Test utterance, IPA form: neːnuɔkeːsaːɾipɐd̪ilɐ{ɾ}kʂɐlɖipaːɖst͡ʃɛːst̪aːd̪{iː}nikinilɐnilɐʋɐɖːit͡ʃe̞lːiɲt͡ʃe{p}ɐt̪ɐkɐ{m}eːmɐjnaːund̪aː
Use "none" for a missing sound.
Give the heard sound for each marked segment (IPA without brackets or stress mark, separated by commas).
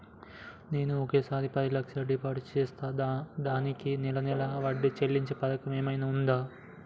none, aː, p, m